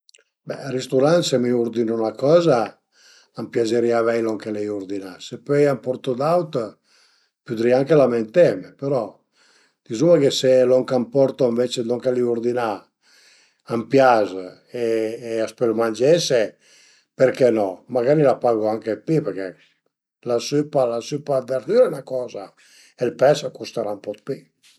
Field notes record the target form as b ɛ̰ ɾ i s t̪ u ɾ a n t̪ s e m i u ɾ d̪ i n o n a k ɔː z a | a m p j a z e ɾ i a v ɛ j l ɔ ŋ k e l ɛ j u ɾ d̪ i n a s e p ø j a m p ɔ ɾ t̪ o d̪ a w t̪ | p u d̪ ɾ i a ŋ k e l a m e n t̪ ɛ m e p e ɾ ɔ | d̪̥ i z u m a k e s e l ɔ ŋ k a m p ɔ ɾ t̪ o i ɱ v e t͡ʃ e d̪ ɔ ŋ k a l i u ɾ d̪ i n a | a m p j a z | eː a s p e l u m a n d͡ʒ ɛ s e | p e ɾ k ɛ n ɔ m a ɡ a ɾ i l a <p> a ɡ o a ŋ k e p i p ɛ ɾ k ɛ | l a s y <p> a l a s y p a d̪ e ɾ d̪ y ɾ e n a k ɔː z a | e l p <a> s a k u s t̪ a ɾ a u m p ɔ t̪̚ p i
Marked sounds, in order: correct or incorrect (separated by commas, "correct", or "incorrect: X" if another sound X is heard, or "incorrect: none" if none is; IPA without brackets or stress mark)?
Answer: correct, correct, incorrect: ɛ